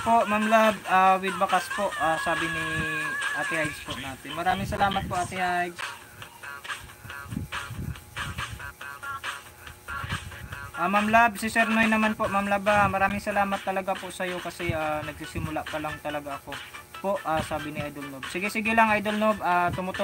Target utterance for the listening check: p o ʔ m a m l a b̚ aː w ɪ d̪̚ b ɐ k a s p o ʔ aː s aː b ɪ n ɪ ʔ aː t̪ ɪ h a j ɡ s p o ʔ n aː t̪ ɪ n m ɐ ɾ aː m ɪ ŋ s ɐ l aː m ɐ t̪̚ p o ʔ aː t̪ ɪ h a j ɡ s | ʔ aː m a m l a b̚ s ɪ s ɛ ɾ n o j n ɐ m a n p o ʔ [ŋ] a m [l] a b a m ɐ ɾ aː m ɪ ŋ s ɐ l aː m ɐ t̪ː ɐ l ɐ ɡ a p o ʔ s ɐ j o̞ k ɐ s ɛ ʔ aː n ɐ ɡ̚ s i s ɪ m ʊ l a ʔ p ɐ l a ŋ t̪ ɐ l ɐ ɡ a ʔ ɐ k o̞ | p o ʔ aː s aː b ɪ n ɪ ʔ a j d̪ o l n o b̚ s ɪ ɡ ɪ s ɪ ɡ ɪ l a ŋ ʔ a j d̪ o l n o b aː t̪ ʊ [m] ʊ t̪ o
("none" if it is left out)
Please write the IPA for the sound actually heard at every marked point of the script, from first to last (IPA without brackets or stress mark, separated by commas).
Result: m, l, m